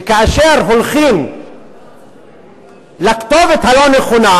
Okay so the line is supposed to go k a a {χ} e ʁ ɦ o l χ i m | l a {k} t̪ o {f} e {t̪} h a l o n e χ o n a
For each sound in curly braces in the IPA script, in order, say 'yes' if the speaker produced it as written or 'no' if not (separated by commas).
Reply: no, yes, no, yes